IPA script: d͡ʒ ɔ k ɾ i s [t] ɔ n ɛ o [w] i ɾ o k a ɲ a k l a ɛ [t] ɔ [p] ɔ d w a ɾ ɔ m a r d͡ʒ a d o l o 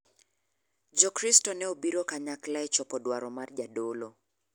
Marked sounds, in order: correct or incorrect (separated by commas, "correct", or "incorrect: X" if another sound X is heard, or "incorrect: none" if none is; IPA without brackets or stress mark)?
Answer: correct, incorrect: b, incorrect: t͡ʃ, correct